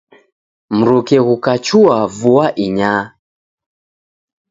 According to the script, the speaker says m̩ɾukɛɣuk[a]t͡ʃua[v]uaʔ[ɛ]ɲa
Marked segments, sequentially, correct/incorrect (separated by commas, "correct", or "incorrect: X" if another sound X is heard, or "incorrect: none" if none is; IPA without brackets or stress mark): correct, correct, incorrect: i